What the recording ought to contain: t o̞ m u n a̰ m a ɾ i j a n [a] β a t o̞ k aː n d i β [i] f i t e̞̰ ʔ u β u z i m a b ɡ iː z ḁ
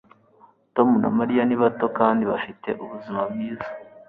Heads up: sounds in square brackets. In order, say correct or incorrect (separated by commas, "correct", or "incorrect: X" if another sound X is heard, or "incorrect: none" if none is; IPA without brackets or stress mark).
incorrect: i, incorrect: a